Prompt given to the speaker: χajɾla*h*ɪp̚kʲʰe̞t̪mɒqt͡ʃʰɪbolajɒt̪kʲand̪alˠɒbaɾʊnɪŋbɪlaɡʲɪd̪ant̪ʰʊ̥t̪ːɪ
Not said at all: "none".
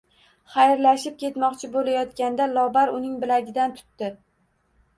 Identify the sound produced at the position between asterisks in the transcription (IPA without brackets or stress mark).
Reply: ʃ